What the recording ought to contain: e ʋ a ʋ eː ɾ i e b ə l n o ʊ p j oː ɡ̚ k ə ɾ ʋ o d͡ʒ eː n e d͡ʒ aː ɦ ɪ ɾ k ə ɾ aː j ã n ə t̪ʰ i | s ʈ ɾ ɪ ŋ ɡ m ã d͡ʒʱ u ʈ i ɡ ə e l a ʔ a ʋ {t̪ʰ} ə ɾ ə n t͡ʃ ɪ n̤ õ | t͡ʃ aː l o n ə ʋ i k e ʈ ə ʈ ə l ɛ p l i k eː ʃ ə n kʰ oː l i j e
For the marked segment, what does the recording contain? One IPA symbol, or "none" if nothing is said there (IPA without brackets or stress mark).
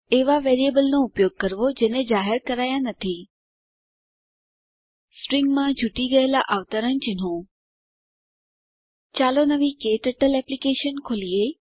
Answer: t̪